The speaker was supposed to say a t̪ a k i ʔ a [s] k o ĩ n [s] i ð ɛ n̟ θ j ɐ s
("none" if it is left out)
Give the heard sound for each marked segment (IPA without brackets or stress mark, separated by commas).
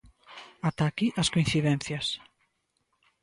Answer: s, θ